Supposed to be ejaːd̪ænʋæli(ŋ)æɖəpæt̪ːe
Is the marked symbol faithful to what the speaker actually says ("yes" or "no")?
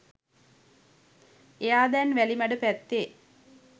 no